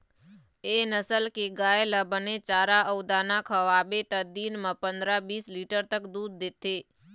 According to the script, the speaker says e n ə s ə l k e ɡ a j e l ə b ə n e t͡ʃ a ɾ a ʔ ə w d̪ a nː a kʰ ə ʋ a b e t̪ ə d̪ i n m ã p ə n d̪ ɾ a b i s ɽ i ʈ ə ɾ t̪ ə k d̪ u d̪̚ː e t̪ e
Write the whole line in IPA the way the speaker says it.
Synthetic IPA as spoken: e n ə s ə l k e ɡ a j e l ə b ə n e t͡ʃ a ɾ a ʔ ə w d̪ a n a kʰ ə ʋ a b e t̪ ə d̪ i n m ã p ə n d̪ ɾ a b i s l i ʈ ə ɾ t̪ ə k d̪ u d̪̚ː e t̪ e